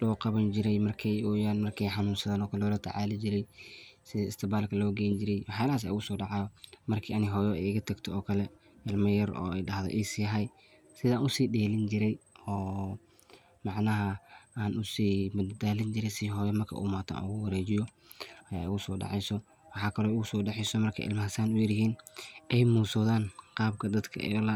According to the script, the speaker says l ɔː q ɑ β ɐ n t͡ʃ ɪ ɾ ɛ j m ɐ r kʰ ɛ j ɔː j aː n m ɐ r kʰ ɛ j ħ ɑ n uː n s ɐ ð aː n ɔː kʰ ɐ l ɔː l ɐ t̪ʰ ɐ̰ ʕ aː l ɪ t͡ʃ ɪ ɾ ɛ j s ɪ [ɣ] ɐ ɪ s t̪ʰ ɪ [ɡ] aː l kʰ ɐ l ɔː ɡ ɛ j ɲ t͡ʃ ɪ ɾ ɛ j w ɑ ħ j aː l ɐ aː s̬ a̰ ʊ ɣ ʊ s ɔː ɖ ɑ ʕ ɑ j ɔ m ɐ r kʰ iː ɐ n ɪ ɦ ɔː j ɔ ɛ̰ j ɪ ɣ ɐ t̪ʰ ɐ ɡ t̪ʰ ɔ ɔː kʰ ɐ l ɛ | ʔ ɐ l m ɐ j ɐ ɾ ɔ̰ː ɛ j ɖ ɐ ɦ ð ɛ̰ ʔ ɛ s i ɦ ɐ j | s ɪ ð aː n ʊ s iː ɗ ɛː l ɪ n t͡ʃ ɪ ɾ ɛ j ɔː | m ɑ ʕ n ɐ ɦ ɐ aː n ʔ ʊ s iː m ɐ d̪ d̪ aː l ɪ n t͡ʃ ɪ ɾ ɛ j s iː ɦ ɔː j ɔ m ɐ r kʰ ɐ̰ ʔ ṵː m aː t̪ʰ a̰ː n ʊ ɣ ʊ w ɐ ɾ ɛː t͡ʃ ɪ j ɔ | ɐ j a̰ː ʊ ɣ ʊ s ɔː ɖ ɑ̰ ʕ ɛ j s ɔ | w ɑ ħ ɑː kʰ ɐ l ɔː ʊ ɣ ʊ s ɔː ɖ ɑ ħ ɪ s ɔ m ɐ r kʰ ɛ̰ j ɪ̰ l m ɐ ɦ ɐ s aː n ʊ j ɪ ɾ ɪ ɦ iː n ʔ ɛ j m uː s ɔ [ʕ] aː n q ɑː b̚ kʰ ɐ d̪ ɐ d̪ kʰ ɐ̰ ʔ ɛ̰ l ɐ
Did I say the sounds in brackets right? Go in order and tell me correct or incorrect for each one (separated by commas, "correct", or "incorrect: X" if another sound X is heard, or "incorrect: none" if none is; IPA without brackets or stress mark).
incorrect: ð, incorrect: b, incorrect: ð